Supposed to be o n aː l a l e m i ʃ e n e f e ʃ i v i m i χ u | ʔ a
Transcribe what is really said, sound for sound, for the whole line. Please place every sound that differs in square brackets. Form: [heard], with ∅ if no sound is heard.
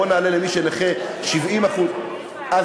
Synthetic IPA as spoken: o n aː l [e] l e m i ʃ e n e [χ] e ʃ i v i m [a] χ u | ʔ a